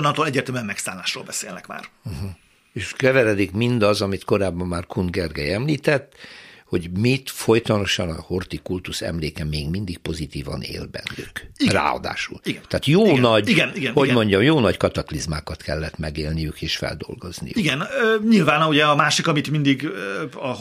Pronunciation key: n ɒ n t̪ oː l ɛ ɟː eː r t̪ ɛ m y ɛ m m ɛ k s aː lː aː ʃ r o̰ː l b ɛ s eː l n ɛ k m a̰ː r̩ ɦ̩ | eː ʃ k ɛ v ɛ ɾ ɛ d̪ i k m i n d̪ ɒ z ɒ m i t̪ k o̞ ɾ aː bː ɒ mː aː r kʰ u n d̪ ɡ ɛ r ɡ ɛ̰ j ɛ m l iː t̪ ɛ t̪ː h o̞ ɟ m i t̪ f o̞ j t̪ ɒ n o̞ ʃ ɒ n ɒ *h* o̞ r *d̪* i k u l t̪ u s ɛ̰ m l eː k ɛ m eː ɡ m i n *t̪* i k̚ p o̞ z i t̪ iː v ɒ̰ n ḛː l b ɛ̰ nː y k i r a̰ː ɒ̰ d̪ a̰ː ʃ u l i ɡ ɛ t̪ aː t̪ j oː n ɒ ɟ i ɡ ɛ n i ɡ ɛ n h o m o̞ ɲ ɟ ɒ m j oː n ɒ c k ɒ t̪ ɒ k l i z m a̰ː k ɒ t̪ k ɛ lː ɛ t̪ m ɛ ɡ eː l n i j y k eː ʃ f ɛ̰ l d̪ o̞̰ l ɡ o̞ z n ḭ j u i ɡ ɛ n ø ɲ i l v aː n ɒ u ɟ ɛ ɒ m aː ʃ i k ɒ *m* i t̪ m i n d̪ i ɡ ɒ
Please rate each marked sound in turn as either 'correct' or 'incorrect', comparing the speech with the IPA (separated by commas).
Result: correct, incorrect, incorrect, correct